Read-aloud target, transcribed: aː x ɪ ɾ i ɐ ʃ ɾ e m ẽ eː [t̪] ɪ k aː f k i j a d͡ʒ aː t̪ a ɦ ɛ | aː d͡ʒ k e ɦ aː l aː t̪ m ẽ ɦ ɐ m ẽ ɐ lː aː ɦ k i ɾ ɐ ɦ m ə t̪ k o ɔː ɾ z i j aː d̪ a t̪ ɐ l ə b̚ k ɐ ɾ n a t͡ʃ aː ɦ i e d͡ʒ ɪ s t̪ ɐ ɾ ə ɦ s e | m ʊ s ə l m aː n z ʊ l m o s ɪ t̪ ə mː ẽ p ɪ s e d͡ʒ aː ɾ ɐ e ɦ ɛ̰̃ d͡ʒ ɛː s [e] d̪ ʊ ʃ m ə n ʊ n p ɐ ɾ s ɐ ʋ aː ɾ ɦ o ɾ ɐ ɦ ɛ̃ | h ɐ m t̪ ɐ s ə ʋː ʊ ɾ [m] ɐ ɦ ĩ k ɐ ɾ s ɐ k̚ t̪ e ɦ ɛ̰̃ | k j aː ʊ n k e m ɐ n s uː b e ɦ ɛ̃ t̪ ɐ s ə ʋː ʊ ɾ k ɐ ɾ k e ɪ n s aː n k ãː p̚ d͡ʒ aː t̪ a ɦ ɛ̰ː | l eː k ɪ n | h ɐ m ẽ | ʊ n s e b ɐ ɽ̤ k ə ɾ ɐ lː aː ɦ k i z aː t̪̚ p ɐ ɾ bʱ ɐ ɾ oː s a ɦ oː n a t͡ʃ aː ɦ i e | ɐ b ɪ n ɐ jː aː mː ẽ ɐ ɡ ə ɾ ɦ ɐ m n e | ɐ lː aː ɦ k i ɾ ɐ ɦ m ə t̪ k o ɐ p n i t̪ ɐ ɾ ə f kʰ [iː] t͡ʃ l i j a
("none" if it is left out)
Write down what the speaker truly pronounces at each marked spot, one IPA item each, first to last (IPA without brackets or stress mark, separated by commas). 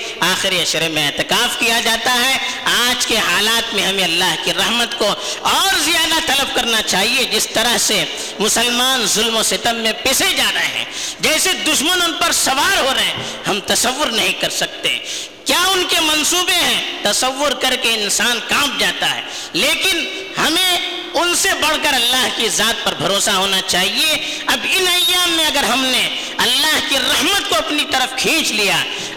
t̪, e, n, ĩː